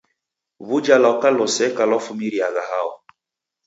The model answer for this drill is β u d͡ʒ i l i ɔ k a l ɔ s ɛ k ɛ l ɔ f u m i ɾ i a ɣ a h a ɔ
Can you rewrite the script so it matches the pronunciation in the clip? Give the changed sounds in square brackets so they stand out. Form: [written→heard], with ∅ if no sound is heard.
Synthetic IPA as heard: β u d͡ʒ [i→a] l [i→a] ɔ k a l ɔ s ɛ k [ɛ→a] l ɔ f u m i ɾ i a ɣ a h a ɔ

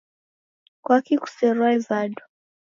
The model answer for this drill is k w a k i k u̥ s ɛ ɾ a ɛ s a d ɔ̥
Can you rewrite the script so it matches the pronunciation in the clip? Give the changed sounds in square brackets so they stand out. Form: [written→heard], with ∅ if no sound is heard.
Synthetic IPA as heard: k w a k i k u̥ s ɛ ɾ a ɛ [s→z] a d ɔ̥

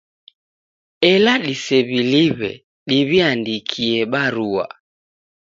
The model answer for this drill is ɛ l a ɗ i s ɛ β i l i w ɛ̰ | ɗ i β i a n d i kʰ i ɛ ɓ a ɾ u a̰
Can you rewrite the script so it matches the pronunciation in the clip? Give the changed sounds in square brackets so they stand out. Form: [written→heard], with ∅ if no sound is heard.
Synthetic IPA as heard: ɛ l a ɗ i s ɛ β i l i [w→β] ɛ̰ | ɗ i β i a n d i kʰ i ɛ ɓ a ɾ u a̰

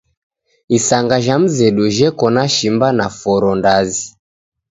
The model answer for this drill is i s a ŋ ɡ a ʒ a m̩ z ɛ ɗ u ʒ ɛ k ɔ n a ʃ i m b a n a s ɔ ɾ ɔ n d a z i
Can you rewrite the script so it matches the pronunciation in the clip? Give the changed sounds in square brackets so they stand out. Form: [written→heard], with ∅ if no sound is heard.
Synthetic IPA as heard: i s a ŋ ɡ a ʒ a m̩ z ɛ ɗ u ʒ ɛ k ɔ n a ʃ i m b a n a [s→f] ɔ ɾ ɔ n d a z i

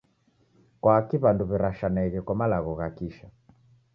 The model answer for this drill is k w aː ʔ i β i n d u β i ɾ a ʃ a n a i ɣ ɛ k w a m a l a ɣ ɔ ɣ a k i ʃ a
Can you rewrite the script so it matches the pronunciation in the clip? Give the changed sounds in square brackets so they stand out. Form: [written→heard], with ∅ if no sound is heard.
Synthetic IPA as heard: k w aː [ʔ→k] i β [i→a] n d u β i ɾ a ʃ a n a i ɣ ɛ k w a m a l a ɣ ɔ ɣ a k i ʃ a

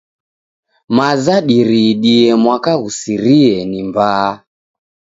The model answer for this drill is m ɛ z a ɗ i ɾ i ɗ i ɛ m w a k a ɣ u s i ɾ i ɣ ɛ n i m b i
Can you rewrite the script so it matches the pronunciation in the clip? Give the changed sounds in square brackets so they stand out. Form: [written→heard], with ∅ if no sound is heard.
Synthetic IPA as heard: m [ɛ→a] z a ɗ i ɾ i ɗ i ɛ m w a k a ɣ u s i ɾ i [ɣ→∅] ɛ n i m b [i→a]

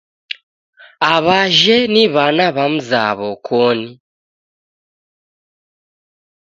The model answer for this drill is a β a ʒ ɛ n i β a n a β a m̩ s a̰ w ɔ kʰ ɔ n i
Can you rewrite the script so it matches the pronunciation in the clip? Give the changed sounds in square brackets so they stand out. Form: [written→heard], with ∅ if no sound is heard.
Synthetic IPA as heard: a β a ʒ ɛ n i β a n a β a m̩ [s→z] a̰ [w→β] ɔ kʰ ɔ n i

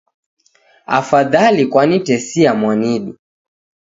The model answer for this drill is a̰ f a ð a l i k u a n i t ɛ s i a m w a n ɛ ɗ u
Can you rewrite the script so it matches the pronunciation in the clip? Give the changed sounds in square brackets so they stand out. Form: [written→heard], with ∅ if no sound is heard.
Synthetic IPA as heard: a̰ f a ð a l i k [u→w] a n i t ɛ s i a m w a n [ɛ→i] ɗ u

